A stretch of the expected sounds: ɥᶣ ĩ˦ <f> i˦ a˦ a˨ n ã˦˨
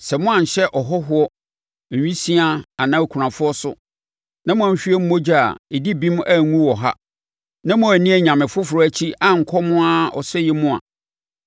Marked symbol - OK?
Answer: no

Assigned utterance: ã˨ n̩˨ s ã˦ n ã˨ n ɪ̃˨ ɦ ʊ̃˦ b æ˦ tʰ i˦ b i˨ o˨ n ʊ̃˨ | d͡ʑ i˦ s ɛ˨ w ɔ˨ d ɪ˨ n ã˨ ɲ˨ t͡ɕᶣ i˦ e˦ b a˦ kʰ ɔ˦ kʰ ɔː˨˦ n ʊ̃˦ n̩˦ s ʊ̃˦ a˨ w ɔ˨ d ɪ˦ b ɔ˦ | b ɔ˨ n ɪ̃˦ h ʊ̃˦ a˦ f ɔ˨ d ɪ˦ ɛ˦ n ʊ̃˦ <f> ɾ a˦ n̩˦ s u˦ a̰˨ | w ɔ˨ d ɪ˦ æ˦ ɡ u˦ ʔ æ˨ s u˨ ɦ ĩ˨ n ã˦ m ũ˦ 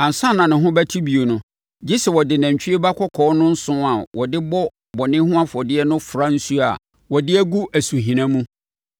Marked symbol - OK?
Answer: yes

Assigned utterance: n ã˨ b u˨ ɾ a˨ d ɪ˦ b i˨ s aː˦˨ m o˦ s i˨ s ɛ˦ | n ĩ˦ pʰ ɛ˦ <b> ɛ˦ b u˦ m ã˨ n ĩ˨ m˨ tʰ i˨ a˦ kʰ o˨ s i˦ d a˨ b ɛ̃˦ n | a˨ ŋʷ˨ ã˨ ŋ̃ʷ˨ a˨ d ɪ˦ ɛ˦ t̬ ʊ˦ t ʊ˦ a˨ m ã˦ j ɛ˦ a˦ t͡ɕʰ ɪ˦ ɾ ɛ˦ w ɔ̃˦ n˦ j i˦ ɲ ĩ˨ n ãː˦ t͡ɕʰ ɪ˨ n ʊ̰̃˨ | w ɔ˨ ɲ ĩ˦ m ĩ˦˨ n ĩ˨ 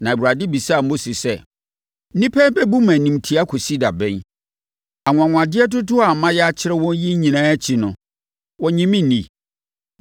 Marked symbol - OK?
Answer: yes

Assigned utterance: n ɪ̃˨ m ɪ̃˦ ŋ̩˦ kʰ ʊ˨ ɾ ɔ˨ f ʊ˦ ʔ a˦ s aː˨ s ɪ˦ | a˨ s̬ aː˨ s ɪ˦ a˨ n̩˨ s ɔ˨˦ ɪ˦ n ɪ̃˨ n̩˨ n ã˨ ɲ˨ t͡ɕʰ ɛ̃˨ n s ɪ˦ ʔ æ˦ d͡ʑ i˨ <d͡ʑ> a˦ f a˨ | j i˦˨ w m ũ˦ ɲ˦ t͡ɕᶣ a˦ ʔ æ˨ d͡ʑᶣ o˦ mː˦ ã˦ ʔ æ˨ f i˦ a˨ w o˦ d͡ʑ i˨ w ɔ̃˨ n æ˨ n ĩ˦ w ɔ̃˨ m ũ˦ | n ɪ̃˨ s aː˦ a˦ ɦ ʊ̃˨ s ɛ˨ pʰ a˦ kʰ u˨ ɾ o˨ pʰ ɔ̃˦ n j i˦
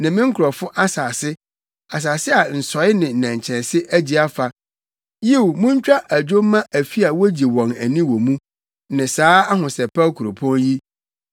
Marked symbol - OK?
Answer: no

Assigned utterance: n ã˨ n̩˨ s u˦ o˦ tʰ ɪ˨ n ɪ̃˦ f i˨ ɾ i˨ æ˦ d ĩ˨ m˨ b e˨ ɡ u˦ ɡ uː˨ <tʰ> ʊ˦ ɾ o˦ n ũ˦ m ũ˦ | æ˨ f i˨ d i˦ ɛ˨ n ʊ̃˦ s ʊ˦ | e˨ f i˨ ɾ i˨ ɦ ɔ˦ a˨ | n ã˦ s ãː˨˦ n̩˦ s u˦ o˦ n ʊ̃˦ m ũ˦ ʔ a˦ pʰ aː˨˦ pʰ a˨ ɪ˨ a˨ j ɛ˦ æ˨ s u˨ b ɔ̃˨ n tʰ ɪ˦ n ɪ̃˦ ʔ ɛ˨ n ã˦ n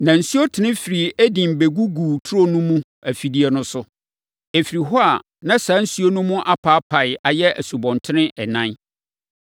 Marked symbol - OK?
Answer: yes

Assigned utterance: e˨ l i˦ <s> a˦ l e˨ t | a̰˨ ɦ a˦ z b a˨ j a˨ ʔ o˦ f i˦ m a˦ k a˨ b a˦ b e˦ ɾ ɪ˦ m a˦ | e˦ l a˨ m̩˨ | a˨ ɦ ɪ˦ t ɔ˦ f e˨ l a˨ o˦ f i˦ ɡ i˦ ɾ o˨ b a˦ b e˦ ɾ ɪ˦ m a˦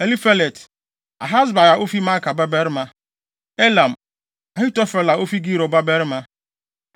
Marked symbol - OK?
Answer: no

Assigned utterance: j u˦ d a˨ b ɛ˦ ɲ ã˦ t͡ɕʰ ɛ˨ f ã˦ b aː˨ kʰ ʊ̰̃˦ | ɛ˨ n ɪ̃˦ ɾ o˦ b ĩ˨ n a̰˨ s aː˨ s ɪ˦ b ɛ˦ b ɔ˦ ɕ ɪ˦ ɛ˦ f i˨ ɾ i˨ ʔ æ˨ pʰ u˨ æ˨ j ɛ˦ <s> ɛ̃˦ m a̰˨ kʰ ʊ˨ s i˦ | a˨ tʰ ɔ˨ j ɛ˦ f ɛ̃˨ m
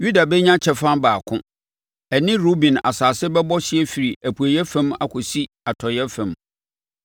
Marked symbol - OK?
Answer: no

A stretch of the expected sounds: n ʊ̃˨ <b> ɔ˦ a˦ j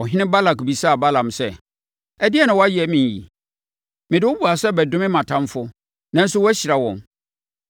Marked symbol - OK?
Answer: no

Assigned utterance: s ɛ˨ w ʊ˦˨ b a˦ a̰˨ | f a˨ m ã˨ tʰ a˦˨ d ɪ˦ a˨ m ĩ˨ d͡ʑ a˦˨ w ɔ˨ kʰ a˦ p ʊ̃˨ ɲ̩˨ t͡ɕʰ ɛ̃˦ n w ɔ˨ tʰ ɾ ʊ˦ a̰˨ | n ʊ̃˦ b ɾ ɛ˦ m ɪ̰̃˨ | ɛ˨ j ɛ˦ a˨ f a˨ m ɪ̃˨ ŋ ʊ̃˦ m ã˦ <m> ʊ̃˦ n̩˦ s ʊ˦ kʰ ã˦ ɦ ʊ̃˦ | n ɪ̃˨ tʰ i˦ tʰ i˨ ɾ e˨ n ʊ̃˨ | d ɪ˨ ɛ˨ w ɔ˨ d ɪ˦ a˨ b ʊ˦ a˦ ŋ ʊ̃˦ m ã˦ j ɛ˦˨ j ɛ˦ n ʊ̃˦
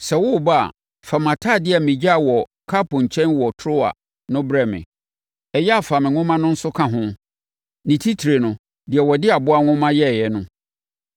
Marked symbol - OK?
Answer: no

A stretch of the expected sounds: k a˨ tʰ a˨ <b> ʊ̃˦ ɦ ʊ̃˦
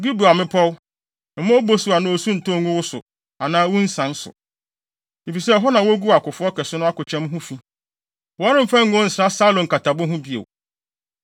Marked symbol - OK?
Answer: yes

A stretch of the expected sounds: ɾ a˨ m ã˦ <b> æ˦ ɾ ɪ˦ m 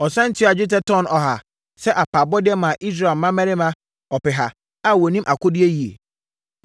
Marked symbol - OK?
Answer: no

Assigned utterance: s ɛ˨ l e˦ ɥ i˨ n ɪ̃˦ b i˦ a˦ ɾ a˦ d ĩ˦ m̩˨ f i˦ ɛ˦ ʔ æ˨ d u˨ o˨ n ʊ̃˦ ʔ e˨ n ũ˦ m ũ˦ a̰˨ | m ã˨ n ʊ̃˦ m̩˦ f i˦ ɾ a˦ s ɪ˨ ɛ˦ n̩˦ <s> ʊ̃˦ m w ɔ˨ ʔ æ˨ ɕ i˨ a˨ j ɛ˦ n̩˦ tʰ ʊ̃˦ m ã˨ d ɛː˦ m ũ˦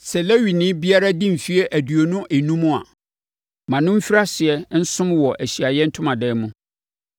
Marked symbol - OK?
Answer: yes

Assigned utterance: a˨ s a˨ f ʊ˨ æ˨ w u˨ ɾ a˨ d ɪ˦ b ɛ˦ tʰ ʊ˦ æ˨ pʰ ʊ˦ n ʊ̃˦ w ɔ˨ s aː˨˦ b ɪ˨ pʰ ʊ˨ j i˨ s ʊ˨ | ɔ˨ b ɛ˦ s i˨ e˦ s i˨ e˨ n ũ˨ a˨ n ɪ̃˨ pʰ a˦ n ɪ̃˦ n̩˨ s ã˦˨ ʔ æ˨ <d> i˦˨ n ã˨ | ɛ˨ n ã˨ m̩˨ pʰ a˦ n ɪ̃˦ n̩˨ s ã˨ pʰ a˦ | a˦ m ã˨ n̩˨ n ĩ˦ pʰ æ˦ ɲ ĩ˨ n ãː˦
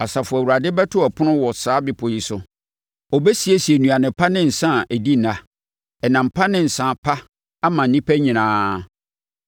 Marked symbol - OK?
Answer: yes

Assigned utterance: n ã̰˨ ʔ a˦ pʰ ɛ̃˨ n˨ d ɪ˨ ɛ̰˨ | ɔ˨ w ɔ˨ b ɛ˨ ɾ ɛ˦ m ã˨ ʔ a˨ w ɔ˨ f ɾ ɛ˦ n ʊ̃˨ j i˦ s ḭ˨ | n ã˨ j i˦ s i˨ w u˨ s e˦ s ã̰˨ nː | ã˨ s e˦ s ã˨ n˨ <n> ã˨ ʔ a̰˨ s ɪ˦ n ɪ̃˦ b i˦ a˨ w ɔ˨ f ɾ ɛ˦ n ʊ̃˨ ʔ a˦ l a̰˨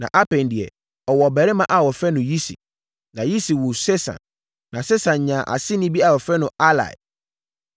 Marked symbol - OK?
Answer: no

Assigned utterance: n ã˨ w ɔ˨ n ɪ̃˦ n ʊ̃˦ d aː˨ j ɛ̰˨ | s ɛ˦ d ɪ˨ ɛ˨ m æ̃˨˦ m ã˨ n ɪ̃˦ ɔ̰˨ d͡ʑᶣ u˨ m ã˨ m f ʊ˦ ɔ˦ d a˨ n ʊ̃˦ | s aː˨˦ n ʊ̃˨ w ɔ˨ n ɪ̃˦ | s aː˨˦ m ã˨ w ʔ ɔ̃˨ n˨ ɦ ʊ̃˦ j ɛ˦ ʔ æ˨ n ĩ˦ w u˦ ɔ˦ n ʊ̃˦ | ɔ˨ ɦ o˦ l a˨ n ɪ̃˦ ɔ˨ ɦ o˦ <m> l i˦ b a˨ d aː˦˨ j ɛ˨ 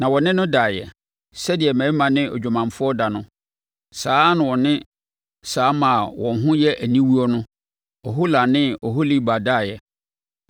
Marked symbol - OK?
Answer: no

